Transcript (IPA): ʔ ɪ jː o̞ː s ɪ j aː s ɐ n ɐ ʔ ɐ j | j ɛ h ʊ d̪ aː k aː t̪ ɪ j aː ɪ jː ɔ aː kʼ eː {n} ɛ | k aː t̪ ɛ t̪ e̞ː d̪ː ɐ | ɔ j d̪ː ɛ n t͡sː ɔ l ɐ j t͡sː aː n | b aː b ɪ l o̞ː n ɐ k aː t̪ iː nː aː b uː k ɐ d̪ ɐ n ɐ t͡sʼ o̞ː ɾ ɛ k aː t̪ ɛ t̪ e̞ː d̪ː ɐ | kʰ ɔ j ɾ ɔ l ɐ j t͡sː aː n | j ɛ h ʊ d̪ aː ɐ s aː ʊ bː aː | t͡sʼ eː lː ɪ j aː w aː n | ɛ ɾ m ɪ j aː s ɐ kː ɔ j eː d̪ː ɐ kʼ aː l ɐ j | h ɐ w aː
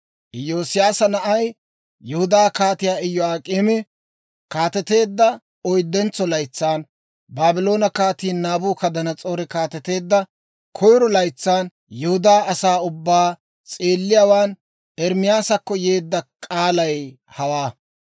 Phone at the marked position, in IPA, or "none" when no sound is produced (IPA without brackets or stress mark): m